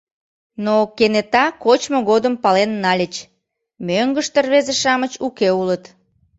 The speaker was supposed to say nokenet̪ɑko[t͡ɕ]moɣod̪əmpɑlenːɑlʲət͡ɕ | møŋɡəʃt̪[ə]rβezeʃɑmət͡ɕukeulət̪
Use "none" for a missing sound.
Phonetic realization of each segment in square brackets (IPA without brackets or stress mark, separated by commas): t͡ɕ, ə